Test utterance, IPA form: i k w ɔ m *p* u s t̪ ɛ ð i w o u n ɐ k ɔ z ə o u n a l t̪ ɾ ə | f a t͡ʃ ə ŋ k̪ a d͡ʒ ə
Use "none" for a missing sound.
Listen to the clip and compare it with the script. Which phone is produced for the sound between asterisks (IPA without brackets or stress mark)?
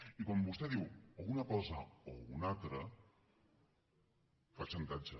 b